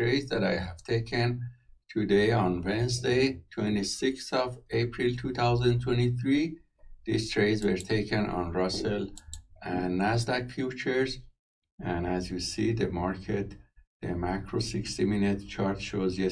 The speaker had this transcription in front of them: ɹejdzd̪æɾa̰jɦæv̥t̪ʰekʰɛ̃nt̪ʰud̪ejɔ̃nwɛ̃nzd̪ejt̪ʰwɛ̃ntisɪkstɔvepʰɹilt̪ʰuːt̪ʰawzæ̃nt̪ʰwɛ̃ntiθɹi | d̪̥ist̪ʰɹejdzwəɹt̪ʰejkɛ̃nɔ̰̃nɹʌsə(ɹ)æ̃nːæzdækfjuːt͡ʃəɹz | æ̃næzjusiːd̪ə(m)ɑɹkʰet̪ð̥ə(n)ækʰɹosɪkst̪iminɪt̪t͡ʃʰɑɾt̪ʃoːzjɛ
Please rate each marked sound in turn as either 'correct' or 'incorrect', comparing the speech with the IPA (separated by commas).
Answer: incorrect, correct, incorrect